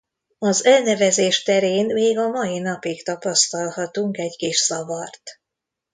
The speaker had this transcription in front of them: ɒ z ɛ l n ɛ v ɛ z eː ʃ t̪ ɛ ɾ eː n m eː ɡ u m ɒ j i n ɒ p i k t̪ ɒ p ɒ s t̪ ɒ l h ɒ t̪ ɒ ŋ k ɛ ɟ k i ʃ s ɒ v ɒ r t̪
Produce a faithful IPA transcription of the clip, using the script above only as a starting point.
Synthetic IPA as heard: ɒ z ɛ l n ɛ v ɛ z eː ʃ t̪ ɛ ɾ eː n m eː ɡ ɒ m ɒ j i n ɒ p i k t̪ ɒ p ɒ s t̪ ɒ l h ɒ t̪ u ŋ k ɛ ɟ k i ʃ s ɒ v ɒ r t̪